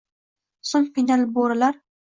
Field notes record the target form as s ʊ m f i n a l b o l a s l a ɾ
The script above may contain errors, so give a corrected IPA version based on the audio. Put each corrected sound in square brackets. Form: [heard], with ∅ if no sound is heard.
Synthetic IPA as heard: s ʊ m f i n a l b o [ɾ] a [∅] l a ɾ